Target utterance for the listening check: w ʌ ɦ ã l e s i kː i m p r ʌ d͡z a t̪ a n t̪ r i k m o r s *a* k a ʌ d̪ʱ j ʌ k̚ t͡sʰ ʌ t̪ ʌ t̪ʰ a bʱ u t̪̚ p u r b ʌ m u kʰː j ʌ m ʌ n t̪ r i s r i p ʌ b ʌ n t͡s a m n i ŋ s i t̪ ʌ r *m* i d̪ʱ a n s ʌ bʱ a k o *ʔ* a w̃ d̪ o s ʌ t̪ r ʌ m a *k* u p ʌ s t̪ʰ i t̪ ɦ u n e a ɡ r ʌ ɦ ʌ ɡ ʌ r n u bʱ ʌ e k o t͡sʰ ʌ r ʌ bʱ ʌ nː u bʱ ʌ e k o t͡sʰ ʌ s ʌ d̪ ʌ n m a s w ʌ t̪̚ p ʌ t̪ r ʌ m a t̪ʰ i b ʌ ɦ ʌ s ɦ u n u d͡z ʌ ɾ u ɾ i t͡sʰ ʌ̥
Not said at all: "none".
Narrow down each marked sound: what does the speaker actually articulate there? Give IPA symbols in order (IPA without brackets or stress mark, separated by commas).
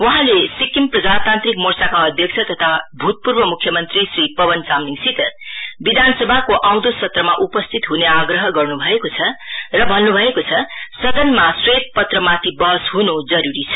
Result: a, b, ʔ, ʔ